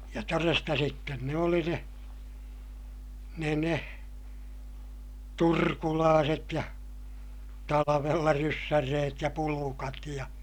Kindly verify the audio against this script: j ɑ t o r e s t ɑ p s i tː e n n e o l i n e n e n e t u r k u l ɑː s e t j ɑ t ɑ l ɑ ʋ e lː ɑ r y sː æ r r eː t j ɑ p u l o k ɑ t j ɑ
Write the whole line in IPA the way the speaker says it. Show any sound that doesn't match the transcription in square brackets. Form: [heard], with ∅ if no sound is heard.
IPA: j ɑ t o r e s t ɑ [∅] s i tː e n n e o l i n e n e n e t u r k u l ɑː s e t j ɑ t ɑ l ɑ ʋ e lː ɑ r y sː æ r r eː t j ɑ p u l [u] k ɑ t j ɑ